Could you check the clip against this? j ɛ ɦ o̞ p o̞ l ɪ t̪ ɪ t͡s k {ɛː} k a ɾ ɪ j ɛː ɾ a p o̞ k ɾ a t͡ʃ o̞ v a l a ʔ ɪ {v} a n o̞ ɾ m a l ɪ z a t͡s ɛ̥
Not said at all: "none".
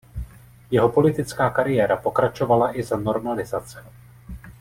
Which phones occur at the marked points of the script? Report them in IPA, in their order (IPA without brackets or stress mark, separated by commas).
aː, z